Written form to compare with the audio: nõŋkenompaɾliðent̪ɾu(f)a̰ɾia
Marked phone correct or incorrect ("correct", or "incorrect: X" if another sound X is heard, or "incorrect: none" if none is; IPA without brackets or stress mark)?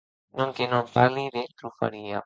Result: correct